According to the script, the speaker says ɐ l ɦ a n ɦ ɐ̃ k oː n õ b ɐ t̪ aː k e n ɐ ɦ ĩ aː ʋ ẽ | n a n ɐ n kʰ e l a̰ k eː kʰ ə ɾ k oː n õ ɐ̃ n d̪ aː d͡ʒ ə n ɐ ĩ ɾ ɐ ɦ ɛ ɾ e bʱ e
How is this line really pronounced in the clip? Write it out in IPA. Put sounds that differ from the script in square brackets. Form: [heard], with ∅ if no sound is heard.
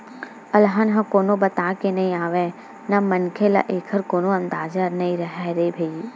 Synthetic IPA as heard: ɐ l ɦ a n ɦ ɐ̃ k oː n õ b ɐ t̪ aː k e n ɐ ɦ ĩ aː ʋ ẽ | n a [m] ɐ n kʰ e l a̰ [ʔ] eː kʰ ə ɾ k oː n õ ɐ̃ n d̪ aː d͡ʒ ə n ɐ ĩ ɾ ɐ ɦ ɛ ɾ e bʱ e